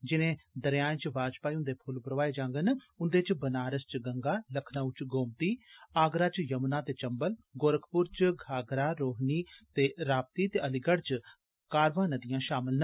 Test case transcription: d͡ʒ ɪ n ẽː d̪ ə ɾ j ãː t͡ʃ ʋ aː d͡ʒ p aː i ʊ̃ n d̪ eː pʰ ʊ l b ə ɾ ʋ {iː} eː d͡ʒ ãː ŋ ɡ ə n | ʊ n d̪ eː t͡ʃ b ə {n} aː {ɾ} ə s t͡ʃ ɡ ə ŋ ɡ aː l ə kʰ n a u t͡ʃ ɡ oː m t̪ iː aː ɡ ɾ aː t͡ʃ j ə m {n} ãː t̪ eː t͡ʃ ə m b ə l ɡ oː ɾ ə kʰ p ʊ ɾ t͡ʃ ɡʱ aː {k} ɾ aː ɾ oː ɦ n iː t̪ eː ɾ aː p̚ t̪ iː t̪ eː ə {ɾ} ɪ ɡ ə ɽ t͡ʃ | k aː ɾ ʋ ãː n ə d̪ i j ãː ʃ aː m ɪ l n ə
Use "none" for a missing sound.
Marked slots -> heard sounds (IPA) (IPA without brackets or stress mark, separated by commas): aː, n, ɾ, n, ɡ, l